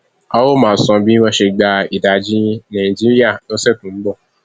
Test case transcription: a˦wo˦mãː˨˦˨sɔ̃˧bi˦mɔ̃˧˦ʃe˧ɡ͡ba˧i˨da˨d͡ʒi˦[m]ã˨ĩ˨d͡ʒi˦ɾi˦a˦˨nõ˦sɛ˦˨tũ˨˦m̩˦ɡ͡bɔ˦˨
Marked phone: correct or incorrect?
incorrect